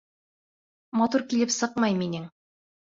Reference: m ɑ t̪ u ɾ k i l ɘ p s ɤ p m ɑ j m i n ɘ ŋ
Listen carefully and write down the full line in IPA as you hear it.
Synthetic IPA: m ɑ t̪ u ɾ k i l ɘ p s ɤ q m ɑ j m i n ɘ ŋ